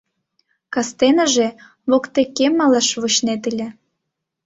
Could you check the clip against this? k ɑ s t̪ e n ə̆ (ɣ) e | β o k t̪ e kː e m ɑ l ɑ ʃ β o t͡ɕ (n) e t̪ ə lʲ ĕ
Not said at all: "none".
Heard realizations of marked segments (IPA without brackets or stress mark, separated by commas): ʒ, n